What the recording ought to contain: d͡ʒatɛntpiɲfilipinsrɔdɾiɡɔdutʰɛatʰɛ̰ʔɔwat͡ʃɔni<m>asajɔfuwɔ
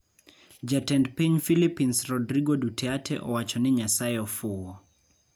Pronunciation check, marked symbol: incorrect: ɲ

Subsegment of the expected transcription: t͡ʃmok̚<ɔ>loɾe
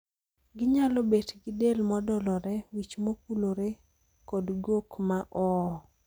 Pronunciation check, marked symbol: incorrect: u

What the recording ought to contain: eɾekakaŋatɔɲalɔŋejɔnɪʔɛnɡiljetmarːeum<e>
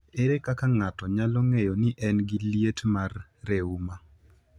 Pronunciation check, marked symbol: incorrect: a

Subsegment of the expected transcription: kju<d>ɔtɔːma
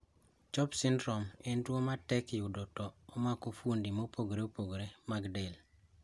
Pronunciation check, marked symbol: correct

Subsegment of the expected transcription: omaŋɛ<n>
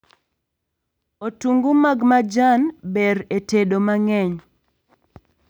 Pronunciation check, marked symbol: incorrect: ɲ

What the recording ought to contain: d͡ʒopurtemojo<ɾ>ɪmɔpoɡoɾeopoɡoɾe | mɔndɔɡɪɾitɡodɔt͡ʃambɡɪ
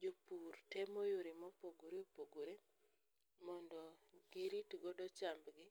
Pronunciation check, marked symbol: correct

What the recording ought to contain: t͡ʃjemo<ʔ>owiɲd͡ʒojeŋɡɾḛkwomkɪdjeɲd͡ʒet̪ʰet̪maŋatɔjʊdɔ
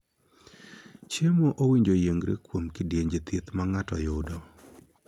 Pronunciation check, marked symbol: correct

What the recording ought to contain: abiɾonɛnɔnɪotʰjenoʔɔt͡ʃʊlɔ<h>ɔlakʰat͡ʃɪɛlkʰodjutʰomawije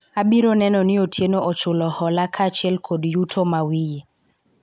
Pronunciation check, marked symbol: correct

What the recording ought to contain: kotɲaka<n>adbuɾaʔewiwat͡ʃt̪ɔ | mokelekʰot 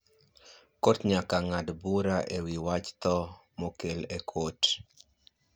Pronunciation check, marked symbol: incorrect: ŋ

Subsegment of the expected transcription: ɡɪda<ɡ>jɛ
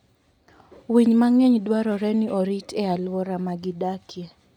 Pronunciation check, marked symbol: incorrect: k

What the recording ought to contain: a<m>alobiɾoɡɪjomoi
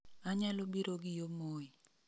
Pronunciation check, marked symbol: incorrect: ɲ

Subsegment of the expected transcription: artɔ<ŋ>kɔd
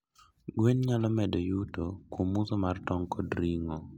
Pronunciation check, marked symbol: correct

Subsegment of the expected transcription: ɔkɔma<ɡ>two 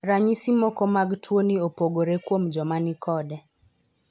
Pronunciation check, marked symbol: correct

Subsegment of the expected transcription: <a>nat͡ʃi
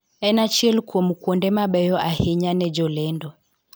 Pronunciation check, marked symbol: incorrect: ɛ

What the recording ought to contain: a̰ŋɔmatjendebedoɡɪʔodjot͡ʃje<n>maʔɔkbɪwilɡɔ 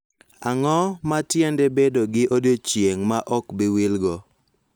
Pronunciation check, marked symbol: incorrect: ŋ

